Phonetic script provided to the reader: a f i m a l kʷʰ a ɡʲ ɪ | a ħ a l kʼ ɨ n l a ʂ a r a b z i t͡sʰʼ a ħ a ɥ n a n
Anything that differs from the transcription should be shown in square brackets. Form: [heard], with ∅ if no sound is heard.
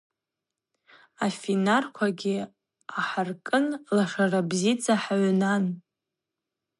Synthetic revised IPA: a f i [n] a [r] kʷʰ a ɡʲ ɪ | a ħ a [r] kʼ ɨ n l a ʂ a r a b z i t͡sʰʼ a ħ a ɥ n a n